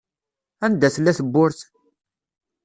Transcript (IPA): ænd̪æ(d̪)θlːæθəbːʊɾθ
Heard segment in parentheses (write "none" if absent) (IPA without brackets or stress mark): none